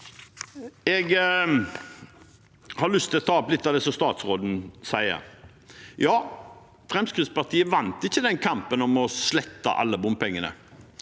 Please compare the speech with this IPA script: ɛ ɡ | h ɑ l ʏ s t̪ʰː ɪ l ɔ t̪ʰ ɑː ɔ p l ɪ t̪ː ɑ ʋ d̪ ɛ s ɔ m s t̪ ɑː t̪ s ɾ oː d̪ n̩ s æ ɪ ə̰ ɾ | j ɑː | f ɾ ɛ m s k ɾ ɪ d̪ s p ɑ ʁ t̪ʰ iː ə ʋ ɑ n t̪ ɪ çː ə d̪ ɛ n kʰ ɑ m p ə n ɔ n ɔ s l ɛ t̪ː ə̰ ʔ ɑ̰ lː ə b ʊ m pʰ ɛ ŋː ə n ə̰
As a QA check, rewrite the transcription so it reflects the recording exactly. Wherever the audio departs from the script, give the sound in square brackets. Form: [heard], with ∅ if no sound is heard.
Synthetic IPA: ɛ ɡ | h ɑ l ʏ s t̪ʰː ɪ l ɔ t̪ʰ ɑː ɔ p l ɪ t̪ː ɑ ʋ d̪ ɛ s ɔ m s t̪ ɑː t̪ s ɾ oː d̪ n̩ s æ ɪ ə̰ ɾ | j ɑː | f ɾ ɛ m s k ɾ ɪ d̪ s p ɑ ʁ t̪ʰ iː ə ʋ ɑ n t̪ ɪ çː ə d̪ ɛ n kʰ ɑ m p ə n ɔ [m] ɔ s l ɛ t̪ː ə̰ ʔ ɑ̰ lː ə b ʊ m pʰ ɛ ŋː ə n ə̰